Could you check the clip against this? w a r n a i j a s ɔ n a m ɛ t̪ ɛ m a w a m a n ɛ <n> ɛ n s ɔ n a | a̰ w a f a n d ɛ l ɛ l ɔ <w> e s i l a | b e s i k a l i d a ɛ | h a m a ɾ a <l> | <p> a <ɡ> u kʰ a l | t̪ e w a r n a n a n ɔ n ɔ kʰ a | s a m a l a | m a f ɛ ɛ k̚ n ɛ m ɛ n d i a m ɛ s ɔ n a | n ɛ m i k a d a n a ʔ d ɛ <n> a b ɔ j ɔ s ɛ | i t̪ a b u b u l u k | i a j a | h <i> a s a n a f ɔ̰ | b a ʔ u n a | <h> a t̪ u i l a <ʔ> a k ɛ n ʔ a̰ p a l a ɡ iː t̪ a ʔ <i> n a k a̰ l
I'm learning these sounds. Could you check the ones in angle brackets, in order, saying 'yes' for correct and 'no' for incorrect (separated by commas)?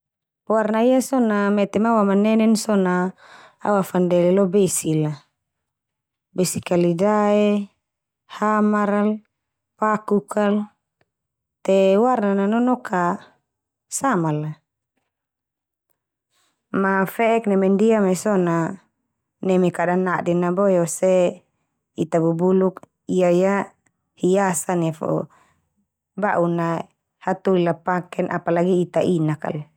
yes, no, yes, yes, no, yes, yes, yes, no, yes